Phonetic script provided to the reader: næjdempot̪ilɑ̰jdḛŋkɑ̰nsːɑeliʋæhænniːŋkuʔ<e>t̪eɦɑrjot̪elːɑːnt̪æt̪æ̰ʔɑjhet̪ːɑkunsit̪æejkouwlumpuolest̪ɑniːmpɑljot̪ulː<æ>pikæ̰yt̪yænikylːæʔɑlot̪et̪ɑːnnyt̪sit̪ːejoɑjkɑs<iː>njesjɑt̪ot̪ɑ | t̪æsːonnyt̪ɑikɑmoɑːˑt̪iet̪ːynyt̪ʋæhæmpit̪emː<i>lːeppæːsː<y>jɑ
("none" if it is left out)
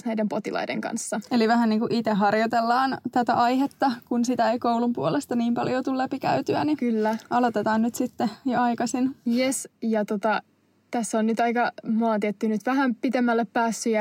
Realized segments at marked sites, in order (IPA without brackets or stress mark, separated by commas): i, æ, i, æ, y